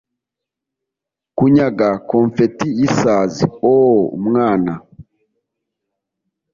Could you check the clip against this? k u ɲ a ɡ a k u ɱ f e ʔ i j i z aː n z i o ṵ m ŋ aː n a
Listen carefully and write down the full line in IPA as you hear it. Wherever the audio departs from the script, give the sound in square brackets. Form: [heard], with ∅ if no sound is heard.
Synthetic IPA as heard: k u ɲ a ɡ a k [o] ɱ f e [t] i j i [s] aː [∅] z i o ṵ m ŋ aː n a